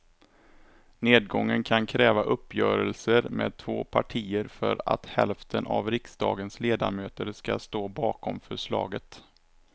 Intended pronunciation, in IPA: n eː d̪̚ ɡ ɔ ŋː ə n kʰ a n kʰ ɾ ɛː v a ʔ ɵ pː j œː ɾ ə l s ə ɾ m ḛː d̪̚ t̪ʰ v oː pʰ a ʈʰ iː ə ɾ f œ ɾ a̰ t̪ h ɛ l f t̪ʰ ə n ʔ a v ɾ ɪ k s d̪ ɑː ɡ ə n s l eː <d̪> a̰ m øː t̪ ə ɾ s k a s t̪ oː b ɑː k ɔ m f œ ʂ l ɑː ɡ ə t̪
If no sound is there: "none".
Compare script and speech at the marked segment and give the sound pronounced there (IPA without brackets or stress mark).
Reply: d̪